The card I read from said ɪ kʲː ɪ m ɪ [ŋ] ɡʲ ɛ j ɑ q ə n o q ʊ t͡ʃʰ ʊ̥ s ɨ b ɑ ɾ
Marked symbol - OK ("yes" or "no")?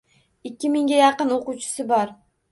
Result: yes